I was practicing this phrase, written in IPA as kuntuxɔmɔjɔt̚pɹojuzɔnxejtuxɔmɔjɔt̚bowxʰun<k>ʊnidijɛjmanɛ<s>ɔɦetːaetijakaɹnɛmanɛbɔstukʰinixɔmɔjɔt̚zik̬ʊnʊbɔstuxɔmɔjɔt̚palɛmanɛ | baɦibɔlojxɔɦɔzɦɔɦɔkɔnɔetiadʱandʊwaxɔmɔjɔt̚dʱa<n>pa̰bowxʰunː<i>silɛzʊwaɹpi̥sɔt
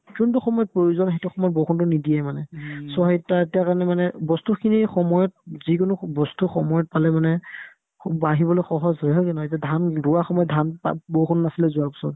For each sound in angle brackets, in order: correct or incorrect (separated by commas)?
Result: incorrect, correct, correct, incorrect